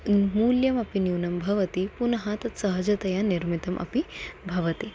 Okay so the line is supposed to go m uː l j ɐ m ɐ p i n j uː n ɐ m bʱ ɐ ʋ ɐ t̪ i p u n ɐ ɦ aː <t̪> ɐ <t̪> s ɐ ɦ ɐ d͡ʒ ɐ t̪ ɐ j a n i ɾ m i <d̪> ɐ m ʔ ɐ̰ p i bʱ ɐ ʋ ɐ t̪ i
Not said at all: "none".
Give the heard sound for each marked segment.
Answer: t̪, t̪, t̪

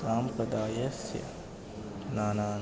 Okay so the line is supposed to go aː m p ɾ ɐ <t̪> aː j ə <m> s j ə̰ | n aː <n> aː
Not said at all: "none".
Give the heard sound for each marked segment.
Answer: d̪, none, n

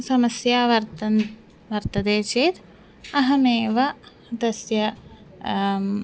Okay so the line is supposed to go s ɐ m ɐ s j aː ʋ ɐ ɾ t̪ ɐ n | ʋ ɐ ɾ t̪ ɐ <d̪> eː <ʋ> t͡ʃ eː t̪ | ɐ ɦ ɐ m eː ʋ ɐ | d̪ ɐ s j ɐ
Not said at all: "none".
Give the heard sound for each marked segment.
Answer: d̪, none

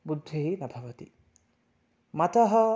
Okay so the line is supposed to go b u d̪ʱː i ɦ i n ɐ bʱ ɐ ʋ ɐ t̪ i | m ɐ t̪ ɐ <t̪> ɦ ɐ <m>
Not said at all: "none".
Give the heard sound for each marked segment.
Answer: none, none

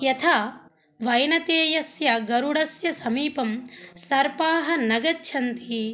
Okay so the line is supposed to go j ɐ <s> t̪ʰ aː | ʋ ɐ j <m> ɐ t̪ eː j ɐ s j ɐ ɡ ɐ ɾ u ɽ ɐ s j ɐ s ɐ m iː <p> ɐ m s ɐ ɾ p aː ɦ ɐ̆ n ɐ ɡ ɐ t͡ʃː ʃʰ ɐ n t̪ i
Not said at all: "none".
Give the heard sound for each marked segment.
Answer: none, n, p

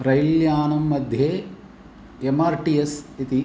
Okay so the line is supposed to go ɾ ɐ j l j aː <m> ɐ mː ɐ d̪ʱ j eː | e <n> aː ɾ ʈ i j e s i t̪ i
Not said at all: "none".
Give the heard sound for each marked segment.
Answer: n, m

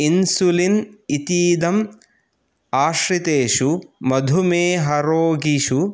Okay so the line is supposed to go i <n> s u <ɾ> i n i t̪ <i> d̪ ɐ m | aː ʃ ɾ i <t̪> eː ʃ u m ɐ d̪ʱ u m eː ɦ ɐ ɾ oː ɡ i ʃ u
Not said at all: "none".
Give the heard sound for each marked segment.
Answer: n, l, iː, t̪

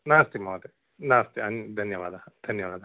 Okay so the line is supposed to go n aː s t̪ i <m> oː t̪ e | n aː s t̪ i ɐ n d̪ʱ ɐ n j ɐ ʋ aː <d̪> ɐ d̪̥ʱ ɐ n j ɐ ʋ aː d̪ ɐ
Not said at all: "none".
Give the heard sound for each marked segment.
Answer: m, d̪

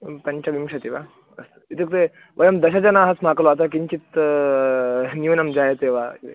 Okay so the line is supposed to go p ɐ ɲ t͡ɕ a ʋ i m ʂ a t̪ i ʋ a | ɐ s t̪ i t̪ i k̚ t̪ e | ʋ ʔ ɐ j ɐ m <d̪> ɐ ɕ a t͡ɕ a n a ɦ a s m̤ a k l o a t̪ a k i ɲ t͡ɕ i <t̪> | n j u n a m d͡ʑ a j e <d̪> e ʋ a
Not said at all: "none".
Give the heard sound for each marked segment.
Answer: d̪, t̪, t̪

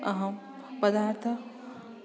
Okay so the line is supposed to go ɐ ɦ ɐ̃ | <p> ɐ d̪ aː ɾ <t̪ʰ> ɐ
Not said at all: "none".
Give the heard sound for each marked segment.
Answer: p, t̪ʰ

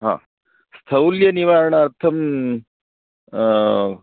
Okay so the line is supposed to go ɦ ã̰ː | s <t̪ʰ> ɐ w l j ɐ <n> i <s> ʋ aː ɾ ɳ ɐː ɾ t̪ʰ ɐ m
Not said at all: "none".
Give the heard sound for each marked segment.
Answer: t̪ʰ, n, none

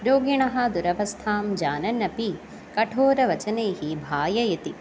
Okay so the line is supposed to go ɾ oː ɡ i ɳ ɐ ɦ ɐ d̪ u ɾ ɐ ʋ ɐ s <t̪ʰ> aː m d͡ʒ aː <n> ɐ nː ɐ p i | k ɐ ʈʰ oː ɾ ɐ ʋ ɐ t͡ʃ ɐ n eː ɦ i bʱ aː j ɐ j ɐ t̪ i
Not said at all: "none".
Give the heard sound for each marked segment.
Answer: t̪ʰ, n

